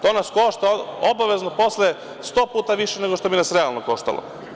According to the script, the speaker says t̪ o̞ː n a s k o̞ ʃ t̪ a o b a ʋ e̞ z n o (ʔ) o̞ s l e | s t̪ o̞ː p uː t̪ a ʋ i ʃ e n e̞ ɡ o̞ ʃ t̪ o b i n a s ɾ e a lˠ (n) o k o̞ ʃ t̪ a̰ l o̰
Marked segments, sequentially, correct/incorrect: incorrect: p, correct

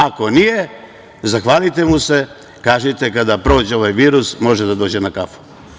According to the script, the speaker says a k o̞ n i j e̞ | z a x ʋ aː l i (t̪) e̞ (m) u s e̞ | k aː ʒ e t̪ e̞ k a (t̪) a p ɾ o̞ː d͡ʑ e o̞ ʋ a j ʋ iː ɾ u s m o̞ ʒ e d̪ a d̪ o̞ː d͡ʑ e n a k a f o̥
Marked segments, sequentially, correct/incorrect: correct, correct, incorrect: d̪

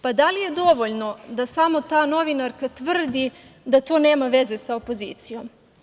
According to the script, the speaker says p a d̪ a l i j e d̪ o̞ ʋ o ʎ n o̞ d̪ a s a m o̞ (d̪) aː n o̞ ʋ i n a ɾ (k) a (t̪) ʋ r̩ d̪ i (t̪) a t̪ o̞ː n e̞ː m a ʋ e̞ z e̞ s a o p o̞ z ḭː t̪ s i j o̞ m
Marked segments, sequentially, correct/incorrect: incorrect: t̪, correct, correct, incorrect: d̪

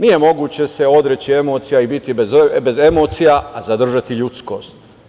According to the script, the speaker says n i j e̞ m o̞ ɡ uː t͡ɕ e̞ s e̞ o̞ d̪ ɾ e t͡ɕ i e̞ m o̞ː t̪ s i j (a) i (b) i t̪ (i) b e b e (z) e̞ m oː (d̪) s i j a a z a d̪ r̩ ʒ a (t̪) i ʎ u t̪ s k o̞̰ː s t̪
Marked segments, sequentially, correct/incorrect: correct, correct, correct, correct, incorrect: t̪, correct

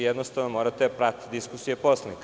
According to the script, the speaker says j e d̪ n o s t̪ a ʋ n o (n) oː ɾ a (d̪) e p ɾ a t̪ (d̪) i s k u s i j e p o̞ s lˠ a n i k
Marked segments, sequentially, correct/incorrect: incorrect: m, incorrect: t̪, correct

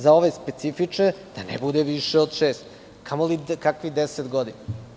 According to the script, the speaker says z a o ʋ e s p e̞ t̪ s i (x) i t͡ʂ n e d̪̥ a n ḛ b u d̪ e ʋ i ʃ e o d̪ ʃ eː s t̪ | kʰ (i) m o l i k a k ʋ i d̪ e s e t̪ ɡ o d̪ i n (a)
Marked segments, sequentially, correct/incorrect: incorrect: f, incorrect: a, correct

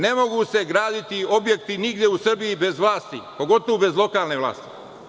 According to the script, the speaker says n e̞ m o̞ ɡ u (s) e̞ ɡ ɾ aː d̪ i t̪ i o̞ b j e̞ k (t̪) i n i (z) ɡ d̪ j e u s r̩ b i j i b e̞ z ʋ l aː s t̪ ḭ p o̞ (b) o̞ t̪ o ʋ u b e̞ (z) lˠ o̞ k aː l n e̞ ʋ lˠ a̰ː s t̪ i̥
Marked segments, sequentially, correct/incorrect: correct, correct, incorrect: none, incorrect: ɡ, correct

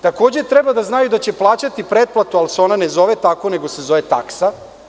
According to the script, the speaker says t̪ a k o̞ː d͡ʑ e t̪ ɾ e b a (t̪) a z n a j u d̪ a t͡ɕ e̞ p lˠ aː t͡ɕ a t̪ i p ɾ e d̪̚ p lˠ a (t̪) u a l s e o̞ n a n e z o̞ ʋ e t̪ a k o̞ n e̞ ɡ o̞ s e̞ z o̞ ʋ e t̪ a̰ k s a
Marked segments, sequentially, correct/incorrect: incorrect: d̪, correct

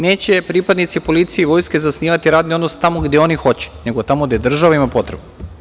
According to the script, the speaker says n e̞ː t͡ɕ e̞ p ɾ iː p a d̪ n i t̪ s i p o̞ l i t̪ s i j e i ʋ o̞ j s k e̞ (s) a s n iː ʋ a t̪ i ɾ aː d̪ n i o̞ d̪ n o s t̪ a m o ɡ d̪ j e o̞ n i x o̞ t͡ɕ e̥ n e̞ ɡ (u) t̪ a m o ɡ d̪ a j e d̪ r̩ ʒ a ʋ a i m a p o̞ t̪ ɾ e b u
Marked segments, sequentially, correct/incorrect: incorrect: z, incorrect: o

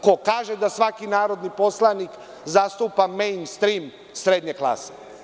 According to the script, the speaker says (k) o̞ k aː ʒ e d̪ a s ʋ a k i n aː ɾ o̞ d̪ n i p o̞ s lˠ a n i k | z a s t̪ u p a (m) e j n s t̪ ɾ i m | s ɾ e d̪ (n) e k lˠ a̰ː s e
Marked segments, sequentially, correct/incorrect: correct, correct, incorrect: ɲ

